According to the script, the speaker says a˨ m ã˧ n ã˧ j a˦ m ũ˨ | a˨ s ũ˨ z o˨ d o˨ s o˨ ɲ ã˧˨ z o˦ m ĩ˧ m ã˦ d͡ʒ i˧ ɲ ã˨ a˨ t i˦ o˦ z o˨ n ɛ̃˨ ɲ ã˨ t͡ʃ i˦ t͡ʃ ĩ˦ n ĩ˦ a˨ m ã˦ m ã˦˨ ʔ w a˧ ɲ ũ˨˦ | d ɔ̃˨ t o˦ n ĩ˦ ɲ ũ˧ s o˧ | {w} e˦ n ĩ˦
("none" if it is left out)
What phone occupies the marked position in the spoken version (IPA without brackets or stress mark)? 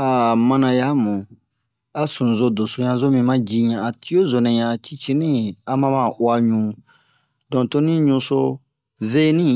v